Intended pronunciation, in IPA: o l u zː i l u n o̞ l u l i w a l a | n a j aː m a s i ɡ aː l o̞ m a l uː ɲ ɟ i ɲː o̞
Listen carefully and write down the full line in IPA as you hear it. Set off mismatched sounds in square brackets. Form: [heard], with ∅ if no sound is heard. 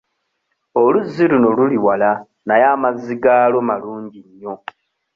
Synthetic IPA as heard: o l u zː i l u n o̞ l u l i w a l a | n a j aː m a [z] i ɡ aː l o̞ m a l uː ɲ ɟ i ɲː o̞